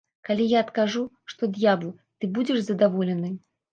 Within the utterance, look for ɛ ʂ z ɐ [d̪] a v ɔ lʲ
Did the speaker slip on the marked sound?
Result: no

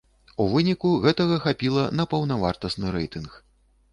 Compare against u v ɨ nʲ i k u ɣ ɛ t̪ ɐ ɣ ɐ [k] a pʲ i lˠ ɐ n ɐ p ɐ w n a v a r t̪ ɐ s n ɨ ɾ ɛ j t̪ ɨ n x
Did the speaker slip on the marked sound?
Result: yes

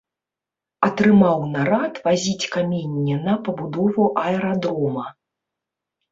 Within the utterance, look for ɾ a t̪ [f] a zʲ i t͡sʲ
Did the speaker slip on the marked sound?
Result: yes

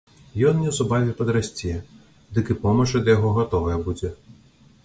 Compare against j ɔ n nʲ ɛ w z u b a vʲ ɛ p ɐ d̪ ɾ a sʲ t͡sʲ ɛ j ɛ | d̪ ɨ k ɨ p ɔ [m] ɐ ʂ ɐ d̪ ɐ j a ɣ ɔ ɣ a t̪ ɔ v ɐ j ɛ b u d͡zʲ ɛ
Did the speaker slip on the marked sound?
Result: no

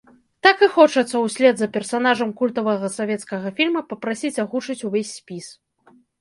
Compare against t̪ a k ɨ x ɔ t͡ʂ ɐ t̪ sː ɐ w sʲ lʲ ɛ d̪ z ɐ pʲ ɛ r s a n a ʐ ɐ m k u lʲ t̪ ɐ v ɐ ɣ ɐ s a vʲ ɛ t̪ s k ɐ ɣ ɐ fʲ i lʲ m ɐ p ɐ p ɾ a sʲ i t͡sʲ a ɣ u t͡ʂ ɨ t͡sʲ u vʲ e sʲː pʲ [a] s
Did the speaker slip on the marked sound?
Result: yes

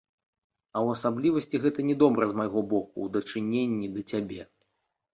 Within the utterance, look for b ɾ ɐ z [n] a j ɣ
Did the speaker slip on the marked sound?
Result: yes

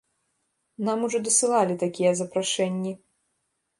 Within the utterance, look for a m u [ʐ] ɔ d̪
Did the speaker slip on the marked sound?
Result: no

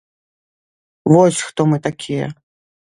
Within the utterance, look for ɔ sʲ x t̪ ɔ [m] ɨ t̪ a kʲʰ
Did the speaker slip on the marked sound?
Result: no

